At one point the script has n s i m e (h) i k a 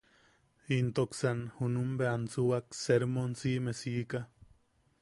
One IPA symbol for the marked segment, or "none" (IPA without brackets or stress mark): s